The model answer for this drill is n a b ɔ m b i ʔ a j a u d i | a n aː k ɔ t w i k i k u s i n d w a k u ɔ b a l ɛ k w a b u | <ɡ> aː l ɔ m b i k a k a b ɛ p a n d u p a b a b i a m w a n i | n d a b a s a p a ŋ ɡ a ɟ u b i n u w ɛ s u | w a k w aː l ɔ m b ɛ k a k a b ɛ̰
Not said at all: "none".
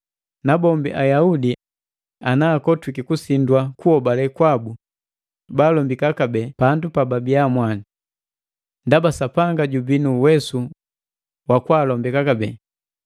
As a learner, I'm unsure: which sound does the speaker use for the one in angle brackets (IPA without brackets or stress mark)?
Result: b